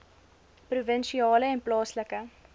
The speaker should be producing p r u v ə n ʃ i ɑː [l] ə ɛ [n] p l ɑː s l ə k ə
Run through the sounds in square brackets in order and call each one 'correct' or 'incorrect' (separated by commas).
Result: correct, correct